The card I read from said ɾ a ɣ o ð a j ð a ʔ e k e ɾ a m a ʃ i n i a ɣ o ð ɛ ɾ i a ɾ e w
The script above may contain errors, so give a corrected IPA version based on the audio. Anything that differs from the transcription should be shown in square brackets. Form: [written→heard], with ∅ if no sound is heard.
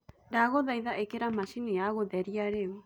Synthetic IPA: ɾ a ɣ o ð a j ð a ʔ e k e ɾ a m a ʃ i n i a ɣ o ð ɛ ɾ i a ɾ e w